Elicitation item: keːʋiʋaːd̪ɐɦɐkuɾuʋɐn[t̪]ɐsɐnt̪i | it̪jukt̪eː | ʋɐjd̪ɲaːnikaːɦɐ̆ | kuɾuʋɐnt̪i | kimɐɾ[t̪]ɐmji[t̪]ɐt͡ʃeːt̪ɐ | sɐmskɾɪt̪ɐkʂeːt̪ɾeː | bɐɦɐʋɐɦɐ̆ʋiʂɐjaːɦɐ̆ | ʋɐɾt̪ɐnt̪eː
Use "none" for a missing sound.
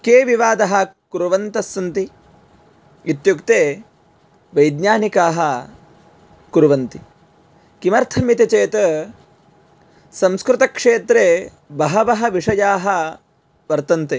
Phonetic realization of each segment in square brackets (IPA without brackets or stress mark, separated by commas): t̪, t̪ʰ, t̪